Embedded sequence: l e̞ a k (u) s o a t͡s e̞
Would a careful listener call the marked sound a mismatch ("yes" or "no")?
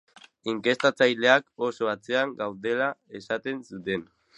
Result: yes